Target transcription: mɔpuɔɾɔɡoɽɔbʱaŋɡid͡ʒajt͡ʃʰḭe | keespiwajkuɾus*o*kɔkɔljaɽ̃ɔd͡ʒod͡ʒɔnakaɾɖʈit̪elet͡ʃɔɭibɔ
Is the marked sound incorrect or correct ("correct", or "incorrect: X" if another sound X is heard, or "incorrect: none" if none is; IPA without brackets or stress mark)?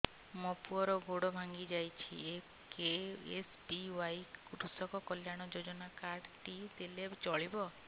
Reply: incorrect: ɔ